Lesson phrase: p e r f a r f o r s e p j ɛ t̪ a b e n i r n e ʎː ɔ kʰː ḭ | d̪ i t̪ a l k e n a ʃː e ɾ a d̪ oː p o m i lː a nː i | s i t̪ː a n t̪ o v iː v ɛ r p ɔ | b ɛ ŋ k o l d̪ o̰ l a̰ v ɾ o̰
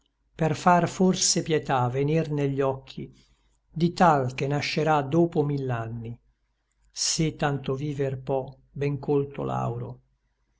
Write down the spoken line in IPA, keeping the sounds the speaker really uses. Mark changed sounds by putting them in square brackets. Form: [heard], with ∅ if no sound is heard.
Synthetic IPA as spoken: p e r f a r f o r s e p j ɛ t̪ a [v] e n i r n e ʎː ɔ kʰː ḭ | d̪ i t̪ a l k e n a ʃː e ɾ a d̪ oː p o m i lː a nː i | s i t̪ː a n t̪ o v iː v [e] r p ɔ | b ɛ ŋ k o l [t̪] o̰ l a̰ [w] ɾ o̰